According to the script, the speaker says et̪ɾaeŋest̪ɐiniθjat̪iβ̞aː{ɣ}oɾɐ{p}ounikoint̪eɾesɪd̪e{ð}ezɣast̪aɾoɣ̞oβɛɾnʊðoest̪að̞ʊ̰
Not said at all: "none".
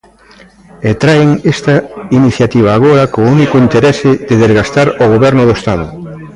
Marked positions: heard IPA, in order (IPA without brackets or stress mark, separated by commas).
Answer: ɣ, k, ð